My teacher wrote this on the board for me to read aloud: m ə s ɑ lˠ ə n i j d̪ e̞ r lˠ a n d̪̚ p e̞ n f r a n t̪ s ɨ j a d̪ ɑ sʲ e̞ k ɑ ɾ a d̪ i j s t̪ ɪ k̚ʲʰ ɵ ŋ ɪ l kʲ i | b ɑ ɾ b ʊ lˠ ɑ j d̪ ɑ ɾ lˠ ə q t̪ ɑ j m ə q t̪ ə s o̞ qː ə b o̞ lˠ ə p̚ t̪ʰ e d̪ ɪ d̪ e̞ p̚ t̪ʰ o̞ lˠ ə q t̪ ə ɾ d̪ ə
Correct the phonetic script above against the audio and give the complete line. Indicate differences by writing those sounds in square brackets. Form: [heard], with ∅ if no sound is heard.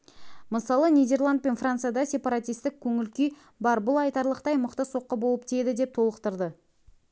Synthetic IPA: m ə s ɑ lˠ ə n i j d̪ e̞ r lˠ a n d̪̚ p e̞ n f r a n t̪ s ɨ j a d̪ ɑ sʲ e̞ [p] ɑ ɾ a [t̪] i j s t̪ ɪ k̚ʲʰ ɵ ŋ ɪ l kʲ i | b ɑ ɾ b ʊ lˠ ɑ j [t̪] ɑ ɾ lˠ ə q t̪ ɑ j m ə q t̪ ə s o̞ qː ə b o̞ lˠ ə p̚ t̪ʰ e d̪ ɪ d̪ e̞ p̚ t̪ʰ o̞ lˠ ə q t̪ ə ɾ d̪ ə